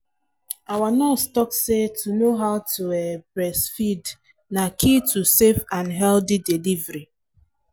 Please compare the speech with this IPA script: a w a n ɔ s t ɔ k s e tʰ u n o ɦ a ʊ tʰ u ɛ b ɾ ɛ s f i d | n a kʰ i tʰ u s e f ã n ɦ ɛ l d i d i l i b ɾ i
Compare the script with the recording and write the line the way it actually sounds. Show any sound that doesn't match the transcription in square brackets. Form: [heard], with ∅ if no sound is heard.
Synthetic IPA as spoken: a w a n ɔ s t ɔ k s e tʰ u n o ɦ a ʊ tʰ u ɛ b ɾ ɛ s f i d | n a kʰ i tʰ u s e f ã n ɦ ɛ l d i d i l i [v] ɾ i